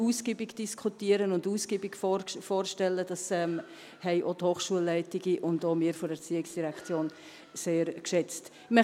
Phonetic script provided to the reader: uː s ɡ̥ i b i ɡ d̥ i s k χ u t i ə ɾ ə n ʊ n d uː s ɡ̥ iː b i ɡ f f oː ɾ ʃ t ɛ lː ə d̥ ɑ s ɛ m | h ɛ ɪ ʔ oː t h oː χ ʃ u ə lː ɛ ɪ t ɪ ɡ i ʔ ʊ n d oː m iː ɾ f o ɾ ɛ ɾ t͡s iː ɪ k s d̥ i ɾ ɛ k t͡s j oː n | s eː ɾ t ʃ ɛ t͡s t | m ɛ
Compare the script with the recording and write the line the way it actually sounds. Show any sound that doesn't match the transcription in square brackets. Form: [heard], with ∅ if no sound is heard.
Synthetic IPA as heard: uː s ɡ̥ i b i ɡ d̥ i s k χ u t i ə ɾ ə n ʊ n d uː s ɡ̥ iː b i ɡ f f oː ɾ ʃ t ɛ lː ə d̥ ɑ s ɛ m | h ɛ ɪ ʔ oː t h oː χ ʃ u ə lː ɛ ɪ t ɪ ɡ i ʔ ʊ n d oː m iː ɾ f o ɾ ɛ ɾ t͡s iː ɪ k s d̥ i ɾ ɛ k t͡s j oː n | s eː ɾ [k] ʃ ɛ t͡s t | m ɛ

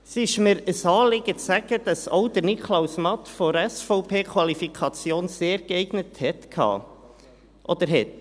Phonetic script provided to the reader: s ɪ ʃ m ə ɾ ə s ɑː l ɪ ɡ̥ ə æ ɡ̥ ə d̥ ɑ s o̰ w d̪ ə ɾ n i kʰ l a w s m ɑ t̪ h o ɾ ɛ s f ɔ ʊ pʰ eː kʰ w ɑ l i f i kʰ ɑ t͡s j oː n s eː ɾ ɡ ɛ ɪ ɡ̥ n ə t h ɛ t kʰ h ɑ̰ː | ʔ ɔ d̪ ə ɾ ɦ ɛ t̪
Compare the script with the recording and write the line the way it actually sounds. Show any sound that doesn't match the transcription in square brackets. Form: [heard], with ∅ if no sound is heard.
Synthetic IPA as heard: s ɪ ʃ m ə ɾ ə s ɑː l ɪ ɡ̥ ə æ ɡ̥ ə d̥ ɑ s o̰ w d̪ ə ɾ n i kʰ l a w s m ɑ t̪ [f] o ɾ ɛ s f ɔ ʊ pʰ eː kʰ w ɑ l i f i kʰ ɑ t͡s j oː n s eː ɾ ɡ ɛ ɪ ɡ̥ n ə t h ɛ t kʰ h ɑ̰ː | ʔ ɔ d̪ ə ɾ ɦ ɛ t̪

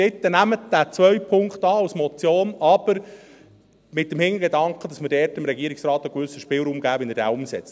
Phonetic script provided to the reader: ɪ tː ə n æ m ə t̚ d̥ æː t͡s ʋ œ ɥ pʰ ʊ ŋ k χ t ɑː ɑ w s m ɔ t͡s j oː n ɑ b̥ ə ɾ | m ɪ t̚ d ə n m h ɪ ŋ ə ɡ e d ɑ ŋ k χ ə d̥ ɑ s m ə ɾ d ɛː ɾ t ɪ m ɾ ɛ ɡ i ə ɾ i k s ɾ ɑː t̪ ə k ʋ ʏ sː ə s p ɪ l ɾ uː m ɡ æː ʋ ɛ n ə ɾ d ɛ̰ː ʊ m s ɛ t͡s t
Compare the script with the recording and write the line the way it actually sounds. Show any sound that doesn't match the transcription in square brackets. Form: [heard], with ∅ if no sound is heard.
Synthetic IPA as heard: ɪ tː ə n æ m ə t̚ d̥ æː t͡s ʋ œ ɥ pʰ ʊ ŋ k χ t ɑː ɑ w s m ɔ t͡s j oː n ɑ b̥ ə ɾ | m ɪ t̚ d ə [∅] m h ɪ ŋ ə ɡ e d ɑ ŋ k χ ə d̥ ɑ s m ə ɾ d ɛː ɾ t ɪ m ɾ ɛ ɡ i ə ɾ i k s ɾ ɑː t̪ ə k ʋ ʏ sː ə [ʃ] p ɪ l ɾ uː m ɡ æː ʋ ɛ n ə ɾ d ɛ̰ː ʊ m s ɛ t͡s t

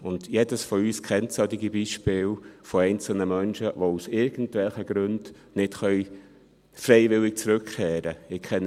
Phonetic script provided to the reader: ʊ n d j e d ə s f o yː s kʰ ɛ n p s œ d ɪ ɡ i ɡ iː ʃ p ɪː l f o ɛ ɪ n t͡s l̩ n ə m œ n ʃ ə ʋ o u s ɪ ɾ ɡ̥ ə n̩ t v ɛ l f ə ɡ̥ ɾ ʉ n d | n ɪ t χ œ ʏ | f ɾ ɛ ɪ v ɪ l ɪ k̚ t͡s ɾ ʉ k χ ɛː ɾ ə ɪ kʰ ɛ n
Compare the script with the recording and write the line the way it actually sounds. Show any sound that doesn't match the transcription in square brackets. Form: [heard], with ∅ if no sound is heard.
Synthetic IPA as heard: ʊ n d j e d ə s f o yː s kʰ ɛ n [t] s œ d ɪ ɡ i [b] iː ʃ p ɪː l f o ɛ ɪ n t͡s l̩ n ə m œ n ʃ ə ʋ o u s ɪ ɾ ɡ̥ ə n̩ t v ɛ l [χ] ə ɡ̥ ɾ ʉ n d | n ɪ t χ œ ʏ | f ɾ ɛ ɪ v ɪ l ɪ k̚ t͡s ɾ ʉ k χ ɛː ɾ ə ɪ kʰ ɛ n

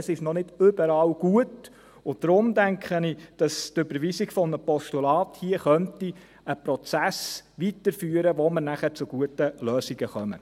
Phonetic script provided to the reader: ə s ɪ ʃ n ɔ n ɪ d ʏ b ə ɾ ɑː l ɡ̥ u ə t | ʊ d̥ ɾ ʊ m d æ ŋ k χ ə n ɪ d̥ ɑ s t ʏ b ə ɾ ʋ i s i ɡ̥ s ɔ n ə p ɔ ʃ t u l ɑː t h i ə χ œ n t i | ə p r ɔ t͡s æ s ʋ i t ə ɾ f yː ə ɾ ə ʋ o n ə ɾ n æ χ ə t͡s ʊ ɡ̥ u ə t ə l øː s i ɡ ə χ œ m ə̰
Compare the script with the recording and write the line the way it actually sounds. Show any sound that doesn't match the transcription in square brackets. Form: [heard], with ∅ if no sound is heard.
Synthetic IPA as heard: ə s ɪ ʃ n ɔ n ɪ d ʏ b ə ɾ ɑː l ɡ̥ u ə t | ʊ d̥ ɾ ʊ m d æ ŋ k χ ə n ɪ d̥ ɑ s t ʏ b ə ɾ ʋ i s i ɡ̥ [f] ɔ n ə p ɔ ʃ t u l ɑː t h i ə χ œ n t i | ə p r ɔ t͡s æ s ʋ i t ə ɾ f yː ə ɾ ə ʋ o [m] ə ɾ n æ χ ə t͡s ʊ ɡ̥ u ə t ə l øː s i ɡ ə χ œ m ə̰

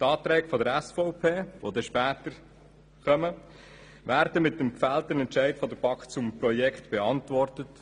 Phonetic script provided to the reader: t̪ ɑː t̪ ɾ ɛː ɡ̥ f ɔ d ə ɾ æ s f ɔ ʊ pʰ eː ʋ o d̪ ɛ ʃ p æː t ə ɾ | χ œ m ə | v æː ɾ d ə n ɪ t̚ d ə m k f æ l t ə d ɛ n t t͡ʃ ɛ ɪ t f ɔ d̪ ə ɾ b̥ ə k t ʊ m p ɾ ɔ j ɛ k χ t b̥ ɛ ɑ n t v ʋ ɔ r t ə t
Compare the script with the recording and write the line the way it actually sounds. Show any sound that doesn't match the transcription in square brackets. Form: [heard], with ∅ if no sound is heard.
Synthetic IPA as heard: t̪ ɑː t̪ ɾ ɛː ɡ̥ f ɔ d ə ɾ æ s f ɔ ʊ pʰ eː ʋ o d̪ ɛ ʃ p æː t ə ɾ | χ œ m ə | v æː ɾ d ə [m] ɪ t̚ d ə m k f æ l t ə [n] ɛ n t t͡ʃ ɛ ɪ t f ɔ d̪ ə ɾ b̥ [ɑ] k [t͡s] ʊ m p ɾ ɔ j ɛ k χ t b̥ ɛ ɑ n t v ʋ ɔ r t ə t

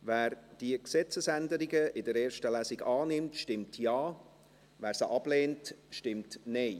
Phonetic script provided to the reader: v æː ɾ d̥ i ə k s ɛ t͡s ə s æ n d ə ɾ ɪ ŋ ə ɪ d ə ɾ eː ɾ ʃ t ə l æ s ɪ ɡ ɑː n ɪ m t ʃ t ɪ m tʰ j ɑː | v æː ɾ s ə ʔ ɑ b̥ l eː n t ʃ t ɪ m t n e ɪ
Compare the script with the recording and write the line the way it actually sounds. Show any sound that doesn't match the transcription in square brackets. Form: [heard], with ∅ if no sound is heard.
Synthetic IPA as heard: v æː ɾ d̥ i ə k s ɛ t͡s ə s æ n d ə ɾ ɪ [ɡ] ə ɪ d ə ɾ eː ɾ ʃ t ə l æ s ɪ ɡ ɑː n ɪ m t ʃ t ɪ m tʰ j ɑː | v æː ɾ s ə ʔ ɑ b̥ l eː n t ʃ t ɪ m t n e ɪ

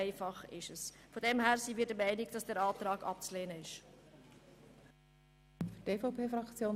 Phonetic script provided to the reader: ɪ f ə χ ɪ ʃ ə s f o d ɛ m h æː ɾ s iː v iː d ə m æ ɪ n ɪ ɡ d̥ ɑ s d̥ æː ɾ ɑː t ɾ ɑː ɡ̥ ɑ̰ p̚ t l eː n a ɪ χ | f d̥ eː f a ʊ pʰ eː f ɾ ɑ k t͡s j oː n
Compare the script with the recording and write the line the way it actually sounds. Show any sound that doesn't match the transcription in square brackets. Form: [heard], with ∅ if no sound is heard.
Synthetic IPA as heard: ɪ f [ɑ] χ ɪ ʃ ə s f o d ɛ m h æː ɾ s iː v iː d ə m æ ɪ n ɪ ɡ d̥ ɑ s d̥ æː ɾ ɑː t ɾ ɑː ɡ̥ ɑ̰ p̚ [t͡s] l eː n [ə] ɪ [ʃ] | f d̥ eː f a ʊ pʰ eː f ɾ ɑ k t͡s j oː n

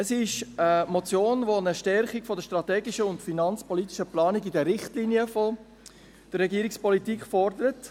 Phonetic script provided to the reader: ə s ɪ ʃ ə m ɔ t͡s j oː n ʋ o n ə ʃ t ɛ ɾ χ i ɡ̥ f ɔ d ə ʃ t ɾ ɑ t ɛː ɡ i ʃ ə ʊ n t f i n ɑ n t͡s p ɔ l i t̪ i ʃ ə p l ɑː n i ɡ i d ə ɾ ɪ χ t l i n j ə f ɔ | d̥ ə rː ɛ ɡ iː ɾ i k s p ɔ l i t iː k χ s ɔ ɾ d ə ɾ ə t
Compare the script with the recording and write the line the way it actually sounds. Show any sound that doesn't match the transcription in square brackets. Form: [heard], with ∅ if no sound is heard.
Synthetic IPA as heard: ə s ɪ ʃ ə m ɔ t͡s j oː n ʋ o n ə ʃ t ɛ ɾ χ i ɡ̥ f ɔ d ə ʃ t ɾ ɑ t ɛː ɡ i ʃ ə ʊ n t f i n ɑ n t͡s p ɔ l i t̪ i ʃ ə p l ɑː n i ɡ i d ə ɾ ɪ χ t l i n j ə f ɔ | d̥ ə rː ɛ ɡ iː ɾ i k s p ɔ l i t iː k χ [f] ɔ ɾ d ə ɾ ə t

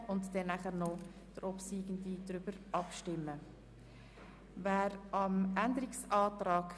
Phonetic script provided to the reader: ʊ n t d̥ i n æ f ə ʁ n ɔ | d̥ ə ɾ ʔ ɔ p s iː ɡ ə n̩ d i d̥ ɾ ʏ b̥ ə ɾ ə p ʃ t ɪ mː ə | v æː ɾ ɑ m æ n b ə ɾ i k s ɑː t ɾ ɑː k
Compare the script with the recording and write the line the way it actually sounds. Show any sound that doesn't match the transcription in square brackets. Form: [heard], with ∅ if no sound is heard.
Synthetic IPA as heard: ʊ n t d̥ [ɛ] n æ [χ] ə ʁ n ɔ | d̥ ə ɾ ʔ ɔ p s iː ɡ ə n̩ d i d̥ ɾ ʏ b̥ ə ɾ [ɑ] p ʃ t ɪ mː ə | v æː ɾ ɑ m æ n [d] ə ɾ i k s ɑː t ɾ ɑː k

